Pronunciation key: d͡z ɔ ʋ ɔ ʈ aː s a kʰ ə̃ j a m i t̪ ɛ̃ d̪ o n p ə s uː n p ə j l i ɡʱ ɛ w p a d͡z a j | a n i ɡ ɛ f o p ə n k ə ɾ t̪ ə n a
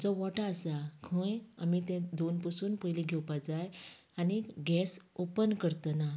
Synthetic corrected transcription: d͡z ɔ ʋ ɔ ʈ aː s a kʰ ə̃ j a m i t̪ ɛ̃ d̪ o n p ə s uː n p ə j l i ɡʱ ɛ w p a d͡z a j | a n i ɡ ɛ s o p ə n k ə ɾ t̪ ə n a

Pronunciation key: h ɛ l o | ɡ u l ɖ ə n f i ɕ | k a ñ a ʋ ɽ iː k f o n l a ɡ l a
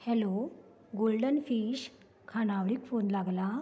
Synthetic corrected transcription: h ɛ l o | ɡ o l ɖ ə n f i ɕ | kʰ a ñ a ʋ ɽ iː k f o n l a ɡ l a

